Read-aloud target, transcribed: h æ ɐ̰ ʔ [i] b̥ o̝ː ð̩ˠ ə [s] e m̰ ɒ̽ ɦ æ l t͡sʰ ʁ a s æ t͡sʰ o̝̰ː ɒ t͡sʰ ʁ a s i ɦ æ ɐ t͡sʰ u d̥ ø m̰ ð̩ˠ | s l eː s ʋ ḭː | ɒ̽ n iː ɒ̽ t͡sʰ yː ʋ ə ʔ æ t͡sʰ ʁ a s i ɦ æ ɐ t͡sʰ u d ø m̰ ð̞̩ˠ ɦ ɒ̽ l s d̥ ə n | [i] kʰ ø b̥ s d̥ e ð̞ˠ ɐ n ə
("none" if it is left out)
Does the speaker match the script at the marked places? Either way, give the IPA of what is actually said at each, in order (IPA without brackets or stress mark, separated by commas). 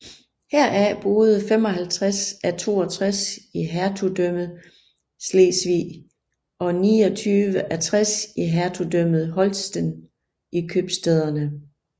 æ, f, i